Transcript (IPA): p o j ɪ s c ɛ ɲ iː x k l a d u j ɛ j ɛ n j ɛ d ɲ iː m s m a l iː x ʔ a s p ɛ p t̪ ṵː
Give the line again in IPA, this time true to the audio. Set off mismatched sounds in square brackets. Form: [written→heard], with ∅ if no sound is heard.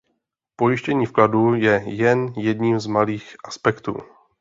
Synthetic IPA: p o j ɪ [s→ʃ] c ɛ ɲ iː [x→f] k l a d u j ɛ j ɛ n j ɛ d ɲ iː m [s→z] m a l iː x ʔ a s p ɛ [p→k] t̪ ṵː